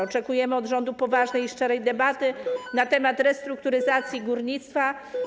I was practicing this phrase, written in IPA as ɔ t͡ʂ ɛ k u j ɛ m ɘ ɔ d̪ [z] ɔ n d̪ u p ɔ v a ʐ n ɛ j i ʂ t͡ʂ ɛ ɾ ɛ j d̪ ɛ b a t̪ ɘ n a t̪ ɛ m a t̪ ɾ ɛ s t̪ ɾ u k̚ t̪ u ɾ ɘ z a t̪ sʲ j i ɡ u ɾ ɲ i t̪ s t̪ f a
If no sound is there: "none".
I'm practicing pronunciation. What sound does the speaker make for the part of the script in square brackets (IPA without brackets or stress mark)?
ʐ